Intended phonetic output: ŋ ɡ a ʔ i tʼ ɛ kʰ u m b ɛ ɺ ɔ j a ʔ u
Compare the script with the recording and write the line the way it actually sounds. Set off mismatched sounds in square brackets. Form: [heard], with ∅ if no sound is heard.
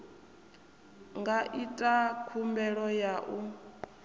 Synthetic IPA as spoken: ŋ ɡ a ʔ i tʼ [a] kʰ u m b ɛ ɺ ɔ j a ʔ u